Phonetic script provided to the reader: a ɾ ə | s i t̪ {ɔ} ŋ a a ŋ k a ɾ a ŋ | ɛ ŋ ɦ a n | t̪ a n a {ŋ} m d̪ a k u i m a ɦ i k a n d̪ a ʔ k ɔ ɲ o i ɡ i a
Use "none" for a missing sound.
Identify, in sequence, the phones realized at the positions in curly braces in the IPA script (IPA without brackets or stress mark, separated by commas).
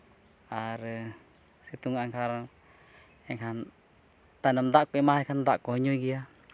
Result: u, none